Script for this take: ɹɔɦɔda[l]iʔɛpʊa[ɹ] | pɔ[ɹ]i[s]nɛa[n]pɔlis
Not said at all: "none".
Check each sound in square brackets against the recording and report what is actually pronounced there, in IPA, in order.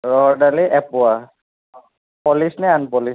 l, none, l, s, n

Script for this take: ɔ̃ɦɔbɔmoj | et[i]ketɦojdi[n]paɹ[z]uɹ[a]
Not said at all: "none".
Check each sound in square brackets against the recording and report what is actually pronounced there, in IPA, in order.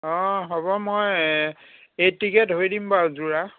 i, m, z, a

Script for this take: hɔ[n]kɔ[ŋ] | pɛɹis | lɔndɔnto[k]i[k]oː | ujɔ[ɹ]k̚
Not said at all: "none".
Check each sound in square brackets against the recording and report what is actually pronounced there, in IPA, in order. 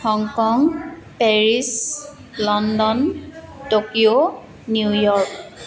ŋ, ŋ, k, none, ɹ

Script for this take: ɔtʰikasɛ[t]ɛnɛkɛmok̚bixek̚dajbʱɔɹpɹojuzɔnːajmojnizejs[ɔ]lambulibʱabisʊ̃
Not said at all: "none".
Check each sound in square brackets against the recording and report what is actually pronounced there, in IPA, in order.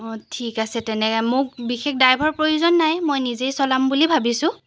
t, ɔ

